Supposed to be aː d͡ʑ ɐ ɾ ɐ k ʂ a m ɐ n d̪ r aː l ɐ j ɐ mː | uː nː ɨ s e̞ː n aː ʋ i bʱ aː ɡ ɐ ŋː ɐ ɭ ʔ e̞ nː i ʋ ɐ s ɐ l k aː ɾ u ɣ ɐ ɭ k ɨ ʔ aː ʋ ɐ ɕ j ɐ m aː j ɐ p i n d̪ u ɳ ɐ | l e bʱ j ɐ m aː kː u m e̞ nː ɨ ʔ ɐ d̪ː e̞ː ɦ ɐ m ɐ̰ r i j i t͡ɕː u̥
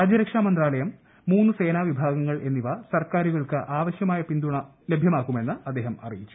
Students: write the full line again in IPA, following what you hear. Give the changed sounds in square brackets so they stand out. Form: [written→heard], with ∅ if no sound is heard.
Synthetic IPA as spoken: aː d͡ʑ ɐ ɾ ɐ k ʂ a m ɐ n d̪ r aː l ɐ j ɐ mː | uː nː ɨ s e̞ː n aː ʋ i bʱ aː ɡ ɐ ŋː ɐ ɭ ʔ e̞ nː i ʋ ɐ s ɐ [l→r] k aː ɾ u ɣ ɐ ɭ k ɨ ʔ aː ʋ ɐ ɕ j ɐ m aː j ɐ p i n d̪ u ɳ ɐ | l e bʱ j ɐ m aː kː u m e̞ nː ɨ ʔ ɐ d̪ː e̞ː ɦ ɐ m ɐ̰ r i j i t͡ɕː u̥